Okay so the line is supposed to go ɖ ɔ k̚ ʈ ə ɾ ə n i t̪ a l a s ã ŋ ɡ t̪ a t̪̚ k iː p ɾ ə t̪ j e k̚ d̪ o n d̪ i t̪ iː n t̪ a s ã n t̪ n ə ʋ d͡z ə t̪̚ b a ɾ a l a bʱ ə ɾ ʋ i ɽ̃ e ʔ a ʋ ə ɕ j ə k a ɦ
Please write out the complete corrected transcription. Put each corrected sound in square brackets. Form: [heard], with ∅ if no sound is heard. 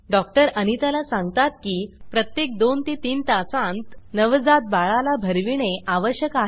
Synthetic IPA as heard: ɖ ɔ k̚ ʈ ə ɾ ə n i t̪ a l a s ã ŋ ɡ t̪ a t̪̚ k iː p ɾ ə t̪ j e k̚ d̪ o n [t̪] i t̪ iː n t̪ a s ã n t̪ n ə ʋ d͡z [a] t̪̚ b a [ɭ] a l a bʱ ə ɾ ʋ i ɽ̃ e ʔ a ʋ ə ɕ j ə k a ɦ